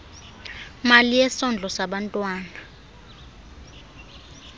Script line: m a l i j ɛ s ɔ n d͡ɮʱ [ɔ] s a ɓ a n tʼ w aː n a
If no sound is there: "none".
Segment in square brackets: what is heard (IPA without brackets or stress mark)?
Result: ɔ